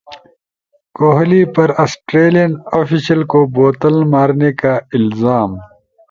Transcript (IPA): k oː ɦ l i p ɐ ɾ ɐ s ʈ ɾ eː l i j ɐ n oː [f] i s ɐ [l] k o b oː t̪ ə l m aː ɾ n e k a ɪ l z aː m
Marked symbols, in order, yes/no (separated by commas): yes, yes